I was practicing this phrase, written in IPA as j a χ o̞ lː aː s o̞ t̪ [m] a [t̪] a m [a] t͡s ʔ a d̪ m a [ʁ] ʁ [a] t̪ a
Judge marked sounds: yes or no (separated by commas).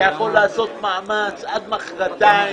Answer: yes, no, yes, no, yes